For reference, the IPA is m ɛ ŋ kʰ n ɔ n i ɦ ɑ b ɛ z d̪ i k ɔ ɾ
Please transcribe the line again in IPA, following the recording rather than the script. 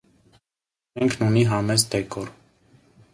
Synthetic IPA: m ɛ ŋ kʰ n u n i ɦ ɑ m ɛ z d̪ ɛ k ɔ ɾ